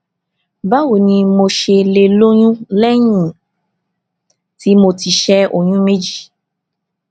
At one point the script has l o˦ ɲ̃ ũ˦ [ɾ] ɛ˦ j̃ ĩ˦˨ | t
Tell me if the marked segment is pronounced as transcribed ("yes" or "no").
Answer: no